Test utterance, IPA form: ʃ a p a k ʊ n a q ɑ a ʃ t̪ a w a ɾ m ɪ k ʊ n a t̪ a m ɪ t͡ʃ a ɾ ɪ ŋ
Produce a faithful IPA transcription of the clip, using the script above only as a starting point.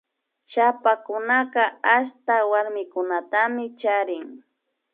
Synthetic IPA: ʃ a p a k ʊ n a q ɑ a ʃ t̪ a w a ɾ m ɪ k ʊ n a t̪ a m ɪ t͡ʃ a ɾ ɪ ŋ